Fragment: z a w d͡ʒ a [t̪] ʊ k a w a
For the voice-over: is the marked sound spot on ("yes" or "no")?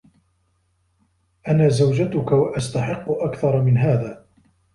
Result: yes